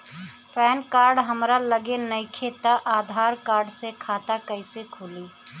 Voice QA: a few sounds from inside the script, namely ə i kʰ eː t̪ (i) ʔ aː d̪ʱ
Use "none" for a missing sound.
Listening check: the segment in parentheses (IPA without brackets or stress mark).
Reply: a